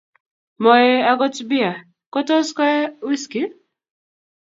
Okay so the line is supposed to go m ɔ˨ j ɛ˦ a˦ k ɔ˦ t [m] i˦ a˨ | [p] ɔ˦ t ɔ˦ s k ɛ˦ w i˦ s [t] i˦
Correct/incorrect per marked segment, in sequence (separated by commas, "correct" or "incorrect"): incorrect, incorrect, incorrect